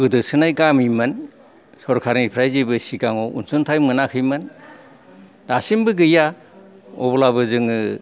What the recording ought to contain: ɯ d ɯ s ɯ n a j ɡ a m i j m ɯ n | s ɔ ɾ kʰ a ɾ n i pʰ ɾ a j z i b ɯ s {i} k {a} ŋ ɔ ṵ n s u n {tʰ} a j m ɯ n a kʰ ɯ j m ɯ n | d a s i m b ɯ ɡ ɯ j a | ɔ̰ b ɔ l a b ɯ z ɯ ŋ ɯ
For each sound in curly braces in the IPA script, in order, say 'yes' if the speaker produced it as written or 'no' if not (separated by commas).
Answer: yes, yes, yes